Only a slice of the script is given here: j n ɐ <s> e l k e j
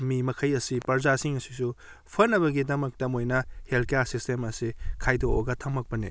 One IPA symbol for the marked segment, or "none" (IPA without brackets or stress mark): h